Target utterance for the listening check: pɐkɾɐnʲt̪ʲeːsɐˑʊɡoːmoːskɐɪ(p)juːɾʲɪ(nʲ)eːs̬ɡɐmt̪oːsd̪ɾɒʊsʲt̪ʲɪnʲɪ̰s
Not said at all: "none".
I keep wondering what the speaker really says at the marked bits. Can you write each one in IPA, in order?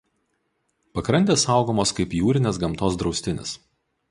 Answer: p, nʲ

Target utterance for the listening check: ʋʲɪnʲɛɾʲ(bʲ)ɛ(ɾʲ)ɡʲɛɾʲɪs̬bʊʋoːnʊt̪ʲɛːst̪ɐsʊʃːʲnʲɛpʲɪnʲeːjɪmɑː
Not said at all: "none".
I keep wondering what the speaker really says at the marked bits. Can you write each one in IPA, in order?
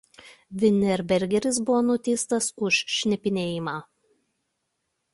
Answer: bʲ, ɾʲ

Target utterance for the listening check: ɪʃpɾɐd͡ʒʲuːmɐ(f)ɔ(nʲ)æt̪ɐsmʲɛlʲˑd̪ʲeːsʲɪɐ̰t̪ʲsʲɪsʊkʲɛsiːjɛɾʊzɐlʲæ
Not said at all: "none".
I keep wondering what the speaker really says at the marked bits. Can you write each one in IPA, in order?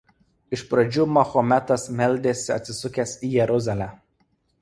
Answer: x, mʲ

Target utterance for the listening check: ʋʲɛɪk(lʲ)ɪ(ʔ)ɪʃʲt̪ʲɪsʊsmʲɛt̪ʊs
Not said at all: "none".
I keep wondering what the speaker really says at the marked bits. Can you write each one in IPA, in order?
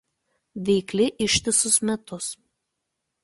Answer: lʲ, ʔ

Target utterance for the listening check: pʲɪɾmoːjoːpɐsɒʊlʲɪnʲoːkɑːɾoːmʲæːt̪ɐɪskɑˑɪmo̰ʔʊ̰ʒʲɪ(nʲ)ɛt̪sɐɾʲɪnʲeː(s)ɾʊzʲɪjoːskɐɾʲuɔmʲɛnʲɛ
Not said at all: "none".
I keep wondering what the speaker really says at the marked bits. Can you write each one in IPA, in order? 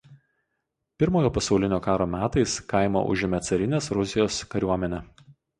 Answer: mʲ, s

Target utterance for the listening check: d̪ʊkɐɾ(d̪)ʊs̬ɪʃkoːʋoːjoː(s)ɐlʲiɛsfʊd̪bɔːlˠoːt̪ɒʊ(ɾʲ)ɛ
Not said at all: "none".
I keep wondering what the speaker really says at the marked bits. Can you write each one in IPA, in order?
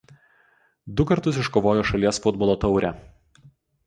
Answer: t̪, ʃ, ɾʲ

